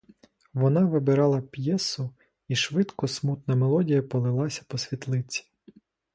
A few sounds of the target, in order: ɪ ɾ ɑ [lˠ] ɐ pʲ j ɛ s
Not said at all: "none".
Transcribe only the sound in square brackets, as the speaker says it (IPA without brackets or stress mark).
lˠ